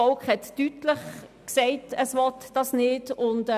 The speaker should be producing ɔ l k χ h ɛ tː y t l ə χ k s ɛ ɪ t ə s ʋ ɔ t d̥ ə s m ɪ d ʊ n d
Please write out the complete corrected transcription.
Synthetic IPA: ɔ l k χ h ɛ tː y t l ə χ k s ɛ ɪ t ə s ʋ ɔ t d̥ ɑ s n ɪ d ʊ n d